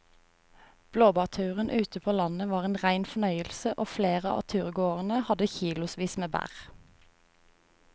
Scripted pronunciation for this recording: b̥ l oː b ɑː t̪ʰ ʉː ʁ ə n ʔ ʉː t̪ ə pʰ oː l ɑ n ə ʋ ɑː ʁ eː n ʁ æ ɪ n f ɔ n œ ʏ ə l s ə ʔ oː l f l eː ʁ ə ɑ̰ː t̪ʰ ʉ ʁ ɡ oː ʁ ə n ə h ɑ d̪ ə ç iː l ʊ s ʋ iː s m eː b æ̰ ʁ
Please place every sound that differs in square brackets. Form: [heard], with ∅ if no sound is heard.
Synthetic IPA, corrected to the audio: b̥ l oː b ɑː t̪ʰ ʉː ʁ ə n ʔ ʉː t̪ ə pʰ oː l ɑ n ə ʋ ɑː ʁ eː n ʁ æ ɪ n f ɔ n œ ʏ ə l s ə ʔ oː [∅] f l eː ʁ ə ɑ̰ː t̪ʰ [ʉː] ʁ ɡ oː ʁ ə n ə h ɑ d̪ ə ç iː l ʊ s ʋ iː s m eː b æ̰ ʁ